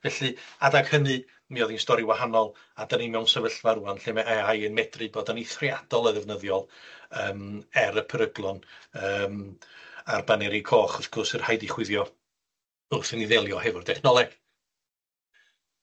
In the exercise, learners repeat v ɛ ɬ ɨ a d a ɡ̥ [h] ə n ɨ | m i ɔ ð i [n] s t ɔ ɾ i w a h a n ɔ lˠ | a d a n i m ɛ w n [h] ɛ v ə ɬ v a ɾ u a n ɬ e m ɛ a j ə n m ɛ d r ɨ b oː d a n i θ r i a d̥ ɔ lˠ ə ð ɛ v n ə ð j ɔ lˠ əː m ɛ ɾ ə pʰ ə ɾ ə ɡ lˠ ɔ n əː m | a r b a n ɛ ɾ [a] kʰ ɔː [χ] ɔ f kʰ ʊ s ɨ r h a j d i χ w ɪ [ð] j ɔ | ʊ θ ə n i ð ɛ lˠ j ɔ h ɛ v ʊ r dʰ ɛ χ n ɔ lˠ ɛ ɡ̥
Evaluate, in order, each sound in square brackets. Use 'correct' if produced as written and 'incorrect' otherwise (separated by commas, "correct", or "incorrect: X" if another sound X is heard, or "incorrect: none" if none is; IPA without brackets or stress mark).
correct, correct, incorrect: s, incorrect: i, correct, correct